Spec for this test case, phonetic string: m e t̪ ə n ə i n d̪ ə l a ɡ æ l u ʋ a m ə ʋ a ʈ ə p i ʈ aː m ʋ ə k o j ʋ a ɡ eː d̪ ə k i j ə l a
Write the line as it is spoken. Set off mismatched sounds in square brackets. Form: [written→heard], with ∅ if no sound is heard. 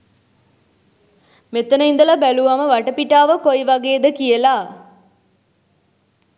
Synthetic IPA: m e t̪ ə n ə i n d̪ ə l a [ɡ→b] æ l u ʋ a m ə ʋ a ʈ ə p i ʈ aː [m→∅] ʋ ə k o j ʋ a ɡ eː d̪ ə k i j ə l a

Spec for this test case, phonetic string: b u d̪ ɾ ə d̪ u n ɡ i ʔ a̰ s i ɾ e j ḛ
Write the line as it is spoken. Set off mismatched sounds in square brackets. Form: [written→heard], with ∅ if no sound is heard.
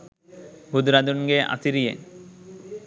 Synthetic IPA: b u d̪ ɾ [ə→a] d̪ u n ɡ [i→e] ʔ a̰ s i ɾ [e→i] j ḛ

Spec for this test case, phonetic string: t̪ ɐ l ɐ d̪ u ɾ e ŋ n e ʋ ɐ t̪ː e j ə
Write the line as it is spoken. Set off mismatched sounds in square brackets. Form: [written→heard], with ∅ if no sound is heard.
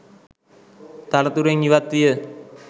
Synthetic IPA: t̪ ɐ l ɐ [d̪→t̪] u ɾ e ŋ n [e→i] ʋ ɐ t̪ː [e→i] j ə

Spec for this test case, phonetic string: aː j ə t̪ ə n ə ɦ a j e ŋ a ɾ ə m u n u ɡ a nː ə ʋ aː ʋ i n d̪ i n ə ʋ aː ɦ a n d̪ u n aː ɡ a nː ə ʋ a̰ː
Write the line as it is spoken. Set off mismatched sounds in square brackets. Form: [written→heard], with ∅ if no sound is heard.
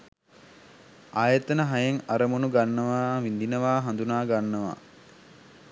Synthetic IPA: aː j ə t̪ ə n ə ɦ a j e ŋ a ɾ ə m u n u ɡ a nː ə ʋ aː ʋ i n d̪ i n ə ʋ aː ɦ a n d̪ u n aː ɡ a nː ə ʋ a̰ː

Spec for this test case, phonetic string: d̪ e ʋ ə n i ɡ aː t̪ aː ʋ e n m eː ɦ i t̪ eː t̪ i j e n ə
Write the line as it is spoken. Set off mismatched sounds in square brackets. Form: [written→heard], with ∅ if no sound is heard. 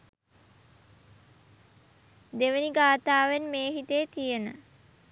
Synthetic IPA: d̪ e ʋ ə n i ɡ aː t̪ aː ʋ e n m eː ɦ i t̪ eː t̪ i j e n ə

